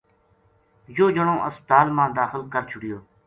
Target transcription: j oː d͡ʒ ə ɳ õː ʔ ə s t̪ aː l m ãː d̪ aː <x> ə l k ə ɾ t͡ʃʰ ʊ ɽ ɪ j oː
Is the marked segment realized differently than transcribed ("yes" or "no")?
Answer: no